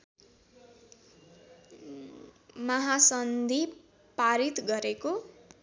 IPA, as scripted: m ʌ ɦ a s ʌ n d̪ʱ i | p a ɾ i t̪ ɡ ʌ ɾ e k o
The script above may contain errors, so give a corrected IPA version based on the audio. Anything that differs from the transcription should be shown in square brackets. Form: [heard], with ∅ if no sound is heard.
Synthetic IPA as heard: m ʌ ɦ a s ʌ n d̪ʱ i | p a ɾ i t̪ ɡ ʌ ɾ e k o